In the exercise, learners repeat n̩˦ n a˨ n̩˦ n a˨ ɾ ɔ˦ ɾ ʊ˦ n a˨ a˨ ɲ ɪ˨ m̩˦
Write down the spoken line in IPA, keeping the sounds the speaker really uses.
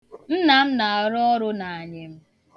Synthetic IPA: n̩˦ n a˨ m̩˦ n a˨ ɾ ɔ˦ ɾ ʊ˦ n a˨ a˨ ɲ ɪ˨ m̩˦